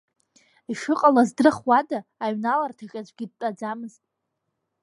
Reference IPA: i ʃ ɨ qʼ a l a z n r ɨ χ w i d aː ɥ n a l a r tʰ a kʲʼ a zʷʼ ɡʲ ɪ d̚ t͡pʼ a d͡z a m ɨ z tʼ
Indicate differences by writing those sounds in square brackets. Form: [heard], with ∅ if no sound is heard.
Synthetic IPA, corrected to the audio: i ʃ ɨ qʼ a l a z [d] r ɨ χ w [a] d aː ɥ n a l a r tʰ a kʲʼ a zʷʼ ɡʲ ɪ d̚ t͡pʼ a d͡z a m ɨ z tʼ